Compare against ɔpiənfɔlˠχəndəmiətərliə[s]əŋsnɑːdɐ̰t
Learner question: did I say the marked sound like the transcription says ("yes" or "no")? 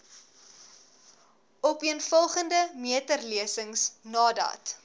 yes